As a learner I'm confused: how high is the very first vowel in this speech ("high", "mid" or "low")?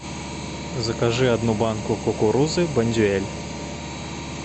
low